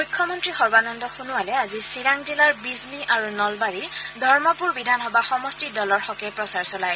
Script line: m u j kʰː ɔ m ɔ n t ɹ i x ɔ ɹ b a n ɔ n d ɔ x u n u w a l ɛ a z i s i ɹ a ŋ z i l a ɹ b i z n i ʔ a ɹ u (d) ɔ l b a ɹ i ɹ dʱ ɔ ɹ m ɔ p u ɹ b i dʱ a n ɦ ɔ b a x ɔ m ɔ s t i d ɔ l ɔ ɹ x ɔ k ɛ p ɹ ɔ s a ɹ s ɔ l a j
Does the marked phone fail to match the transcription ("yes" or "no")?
yes